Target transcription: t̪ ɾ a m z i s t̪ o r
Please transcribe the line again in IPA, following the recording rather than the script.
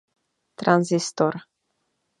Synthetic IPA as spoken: t̪ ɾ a n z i s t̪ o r